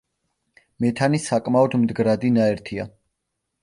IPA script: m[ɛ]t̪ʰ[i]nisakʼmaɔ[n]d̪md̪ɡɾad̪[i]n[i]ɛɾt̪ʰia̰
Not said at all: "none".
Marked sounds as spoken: ɛ, a, none, i, a

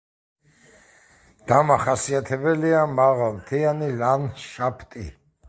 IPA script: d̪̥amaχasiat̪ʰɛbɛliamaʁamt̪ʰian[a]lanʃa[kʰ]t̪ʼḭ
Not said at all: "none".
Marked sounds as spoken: i, pʰ

